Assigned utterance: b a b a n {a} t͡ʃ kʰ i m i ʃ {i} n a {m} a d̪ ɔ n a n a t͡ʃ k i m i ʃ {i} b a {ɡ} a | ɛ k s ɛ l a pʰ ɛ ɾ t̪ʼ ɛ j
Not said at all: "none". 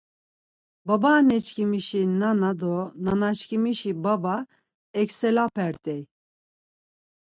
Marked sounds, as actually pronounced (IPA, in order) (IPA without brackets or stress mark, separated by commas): ɛ, i, n, i, b